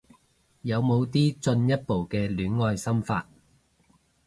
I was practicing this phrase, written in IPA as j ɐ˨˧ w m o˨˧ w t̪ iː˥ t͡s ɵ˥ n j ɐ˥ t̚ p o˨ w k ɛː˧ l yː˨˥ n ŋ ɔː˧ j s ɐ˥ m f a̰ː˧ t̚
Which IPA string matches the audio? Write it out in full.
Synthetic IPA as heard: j ɐ˨˧ w m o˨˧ w t̪ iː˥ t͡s ɵ˧ n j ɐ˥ t̚ p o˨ w k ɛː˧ l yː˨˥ n ŋ ɔː˧ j s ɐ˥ m f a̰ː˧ t̚